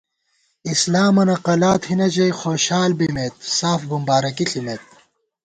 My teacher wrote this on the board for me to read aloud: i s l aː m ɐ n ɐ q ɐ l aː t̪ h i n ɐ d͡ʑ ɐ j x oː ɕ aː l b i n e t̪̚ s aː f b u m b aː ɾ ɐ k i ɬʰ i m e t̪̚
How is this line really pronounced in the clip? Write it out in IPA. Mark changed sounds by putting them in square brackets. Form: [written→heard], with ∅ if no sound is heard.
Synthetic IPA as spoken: i s l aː m ɐ n ɐ q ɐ l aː t̪ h i n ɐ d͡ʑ ɐ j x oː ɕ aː l b i [n→m] e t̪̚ s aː f b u m b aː ɾ ɐ k i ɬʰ i m e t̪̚